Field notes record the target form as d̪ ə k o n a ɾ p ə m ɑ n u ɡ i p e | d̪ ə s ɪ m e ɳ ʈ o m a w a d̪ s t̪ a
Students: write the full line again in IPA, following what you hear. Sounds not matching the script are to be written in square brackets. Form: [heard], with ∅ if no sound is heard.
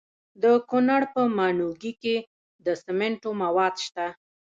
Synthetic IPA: d̪ ə k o n a [ɽ] p ə m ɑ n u ɡ i [k] e | d̪ ə s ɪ m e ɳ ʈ o m a w [ɑ] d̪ [ʃ] t̪ a